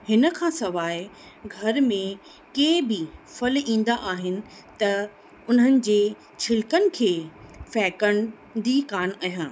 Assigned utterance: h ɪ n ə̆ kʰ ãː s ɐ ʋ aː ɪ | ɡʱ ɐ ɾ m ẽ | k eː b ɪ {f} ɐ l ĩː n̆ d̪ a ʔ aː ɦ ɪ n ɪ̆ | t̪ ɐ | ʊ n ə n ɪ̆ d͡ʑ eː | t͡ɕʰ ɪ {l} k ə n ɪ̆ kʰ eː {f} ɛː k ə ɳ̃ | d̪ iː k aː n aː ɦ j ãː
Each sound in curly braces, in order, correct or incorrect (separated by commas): correct, correct, correct